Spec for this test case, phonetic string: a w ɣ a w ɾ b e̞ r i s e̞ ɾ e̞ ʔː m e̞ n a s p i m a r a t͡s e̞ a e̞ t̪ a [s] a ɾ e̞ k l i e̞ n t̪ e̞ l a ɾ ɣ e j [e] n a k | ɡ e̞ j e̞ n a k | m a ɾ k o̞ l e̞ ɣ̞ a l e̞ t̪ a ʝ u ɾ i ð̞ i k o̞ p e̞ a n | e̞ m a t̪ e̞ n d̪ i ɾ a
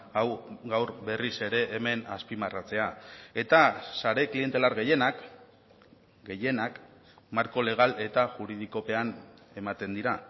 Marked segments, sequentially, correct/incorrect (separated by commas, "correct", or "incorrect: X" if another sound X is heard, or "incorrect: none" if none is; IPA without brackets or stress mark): correct, correct